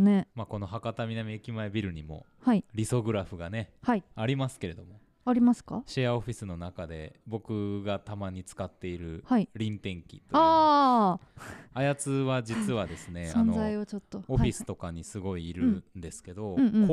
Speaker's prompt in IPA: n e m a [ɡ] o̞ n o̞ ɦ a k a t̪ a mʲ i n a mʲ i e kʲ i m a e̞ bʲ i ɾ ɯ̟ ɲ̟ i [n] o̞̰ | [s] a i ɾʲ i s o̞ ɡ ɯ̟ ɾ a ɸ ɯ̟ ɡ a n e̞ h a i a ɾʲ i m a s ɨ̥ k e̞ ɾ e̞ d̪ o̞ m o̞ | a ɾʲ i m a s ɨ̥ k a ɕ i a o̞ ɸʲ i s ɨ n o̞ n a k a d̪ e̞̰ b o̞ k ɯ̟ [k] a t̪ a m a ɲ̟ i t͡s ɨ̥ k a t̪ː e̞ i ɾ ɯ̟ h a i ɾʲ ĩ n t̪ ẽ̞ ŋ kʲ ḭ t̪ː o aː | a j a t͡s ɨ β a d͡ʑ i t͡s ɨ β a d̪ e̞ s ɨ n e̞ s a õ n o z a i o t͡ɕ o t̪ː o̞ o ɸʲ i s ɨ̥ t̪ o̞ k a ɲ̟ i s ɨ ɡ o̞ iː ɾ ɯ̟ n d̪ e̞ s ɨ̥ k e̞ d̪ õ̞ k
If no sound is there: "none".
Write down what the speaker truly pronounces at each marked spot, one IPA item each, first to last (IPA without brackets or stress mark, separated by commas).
k, m, h, ɡ